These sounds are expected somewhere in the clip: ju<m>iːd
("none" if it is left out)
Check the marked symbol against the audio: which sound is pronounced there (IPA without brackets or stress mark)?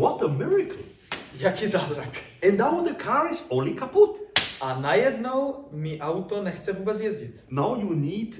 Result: n